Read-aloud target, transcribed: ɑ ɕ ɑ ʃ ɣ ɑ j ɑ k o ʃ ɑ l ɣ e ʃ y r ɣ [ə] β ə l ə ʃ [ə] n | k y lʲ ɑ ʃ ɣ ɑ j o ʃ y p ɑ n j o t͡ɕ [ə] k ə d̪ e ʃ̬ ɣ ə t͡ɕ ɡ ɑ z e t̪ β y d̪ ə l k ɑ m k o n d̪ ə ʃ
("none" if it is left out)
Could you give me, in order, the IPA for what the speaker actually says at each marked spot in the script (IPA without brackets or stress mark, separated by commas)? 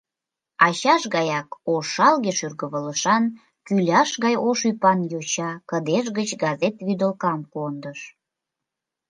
ə, ɑ, ɑ